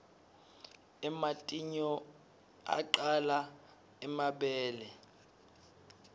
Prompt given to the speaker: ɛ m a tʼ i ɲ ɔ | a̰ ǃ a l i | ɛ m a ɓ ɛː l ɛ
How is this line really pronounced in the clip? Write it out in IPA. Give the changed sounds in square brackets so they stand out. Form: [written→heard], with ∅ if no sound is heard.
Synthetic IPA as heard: ɛ m a tʼ i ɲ ɔ | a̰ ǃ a l [i→a] | ɛ m a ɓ ɛː l ɛ